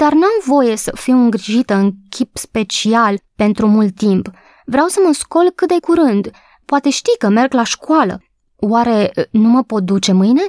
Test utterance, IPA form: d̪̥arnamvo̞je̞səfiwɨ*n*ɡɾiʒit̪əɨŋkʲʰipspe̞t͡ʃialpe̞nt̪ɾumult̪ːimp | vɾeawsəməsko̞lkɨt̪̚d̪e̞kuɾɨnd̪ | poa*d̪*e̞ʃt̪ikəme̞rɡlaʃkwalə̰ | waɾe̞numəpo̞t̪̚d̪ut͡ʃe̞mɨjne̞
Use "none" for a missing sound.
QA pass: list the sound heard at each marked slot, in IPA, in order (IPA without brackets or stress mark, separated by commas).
ŋ, t̪